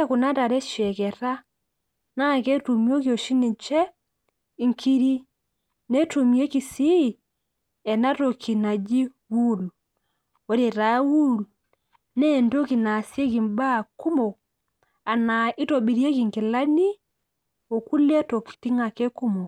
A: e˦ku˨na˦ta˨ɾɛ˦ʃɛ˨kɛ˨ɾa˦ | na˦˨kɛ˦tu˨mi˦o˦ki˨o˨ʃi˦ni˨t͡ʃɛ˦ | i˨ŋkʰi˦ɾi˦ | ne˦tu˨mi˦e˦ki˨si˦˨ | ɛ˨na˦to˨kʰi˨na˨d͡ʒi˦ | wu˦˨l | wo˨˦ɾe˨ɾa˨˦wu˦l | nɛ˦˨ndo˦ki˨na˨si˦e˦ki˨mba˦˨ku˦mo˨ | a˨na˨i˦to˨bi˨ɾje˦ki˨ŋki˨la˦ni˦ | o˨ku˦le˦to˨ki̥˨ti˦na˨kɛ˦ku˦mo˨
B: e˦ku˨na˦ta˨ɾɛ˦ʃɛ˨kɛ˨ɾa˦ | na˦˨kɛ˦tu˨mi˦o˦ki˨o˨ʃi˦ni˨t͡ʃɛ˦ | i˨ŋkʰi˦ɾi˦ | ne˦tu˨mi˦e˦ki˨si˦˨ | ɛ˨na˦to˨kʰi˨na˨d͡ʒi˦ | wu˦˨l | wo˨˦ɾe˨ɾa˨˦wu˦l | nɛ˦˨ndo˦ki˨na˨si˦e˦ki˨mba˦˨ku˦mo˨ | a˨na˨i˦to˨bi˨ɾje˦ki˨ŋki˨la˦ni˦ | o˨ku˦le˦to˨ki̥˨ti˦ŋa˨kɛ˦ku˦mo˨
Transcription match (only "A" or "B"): B